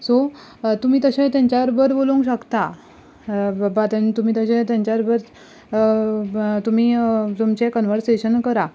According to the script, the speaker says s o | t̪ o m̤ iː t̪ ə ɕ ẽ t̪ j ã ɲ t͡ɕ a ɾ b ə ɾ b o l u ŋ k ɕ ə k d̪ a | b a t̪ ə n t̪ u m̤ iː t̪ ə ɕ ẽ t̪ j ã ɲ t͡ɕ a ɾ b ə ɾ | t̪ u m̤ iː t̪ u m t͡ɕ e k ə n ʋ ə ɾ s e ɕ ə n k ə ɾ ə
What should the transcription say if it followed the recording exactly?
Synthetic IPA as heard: s o | t̪ u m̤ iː t̪ ə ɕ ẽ t̪ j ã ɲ t͡ɕ a ɾ b ə ɾ b o l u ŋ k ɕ ə k t̪ a | b a t̪ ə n t̪ u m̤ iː t̪ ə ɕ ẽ t̪ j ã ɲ t͡ɕ a ɾ b ə ɾ | t̪ u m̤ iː t̪ u m t͡ɕ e k ə n ʋ ə ɾ s e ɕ ə n k ə ɾ a